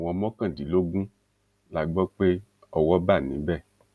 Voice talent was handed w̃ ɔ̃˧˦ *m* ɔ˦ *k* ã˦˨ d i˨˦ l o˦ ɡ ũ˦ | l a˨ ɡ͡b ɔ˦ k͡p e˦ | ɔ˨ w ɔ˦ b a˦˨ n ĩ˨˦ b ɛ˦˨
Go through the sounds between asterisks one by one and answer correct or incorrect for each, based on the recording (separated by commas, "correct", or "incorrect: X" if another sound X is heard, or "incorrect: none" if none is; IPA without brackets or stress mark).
correct, correct